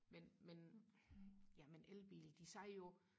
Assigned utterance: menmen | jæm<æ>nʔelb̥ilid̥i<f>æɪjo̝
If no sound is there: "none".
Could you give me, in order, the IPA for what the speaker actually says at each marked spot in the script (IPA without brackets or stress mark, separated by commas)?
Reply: e, s